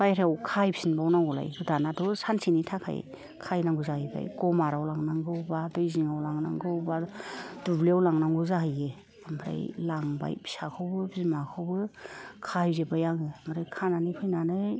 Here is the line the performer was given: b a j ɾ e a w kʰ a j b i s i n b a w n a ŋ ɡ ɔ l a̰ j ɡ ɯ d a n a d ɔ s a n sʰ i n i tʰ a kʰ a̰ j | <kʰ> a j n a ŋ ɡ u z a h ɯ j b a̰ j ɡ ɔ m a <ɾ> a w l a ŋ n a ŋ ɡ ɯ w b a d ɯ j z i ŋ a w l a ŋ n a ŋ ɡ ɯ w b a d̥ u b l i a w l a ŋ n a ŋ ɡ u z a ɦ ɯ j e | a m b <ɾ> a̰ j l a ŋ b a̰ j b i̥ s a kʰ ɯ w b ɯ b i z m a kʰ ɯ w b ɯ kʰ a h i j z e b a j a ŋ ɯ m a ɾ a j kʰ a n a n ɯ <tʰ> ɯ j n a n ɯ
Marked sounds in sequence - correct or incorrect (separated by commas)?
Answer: correct, correct, correct, incorrect